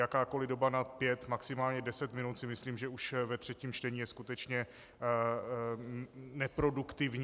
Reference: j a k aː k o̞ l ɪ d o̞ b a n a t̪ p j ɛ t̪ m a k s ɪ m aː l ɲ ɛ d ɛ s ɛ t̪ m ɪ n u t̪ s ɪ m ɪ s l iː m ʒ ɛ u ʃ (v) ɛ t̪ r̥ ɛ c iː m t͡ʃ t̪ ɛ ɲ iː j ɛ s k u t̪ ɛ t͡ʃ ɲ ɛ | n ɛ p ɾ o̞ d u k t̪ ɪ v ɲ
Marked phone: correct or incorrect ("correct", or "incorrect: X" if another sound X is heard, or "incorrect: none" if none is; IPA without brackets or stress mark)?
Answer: correct